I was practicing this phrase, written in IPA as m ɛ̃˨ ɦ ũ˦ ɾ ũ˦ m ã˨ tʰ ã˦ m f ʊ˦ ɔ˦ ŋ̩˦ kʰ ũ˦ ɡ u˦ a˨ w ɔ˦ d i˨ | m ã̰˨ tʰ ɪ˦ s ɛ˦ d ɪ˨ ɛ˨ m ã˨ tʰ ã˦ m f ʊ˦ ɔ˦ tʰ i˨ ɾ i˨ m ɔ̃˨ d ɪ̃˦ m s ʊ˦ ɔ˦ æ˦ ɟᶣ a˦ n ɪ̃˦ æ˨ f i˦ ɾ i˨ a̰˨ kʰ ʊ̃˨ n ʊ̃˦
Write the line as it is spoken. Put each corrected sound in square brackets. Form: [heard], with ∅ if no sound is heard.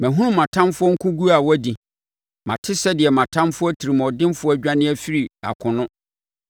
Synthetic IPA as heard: m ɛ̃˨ ɦ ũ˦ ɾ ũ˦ m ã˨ tʰ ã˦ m f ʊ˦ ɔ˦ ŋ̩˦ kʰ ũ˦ ɡ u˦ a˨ w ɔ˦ d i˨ | m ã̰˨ tʰ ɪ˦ s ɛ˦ d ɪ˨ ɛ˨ m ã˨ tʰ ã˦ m f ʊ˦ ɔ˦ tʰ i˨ ɾ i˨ m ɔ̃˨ d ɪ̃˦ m [f] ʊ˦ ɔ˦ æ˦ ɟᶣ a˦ n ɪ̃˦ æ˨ f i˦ ɾ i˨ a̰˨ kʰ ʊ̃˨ n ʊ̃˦